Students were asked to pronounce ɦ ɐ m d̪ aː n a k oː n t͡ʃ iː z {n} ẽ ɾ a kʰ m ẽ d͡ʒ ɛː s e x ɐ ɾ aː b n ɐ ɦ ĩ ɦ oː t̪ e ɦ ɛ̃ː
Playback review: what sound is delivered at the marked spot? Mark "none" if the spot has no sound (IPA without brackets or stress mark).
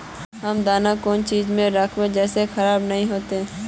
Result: m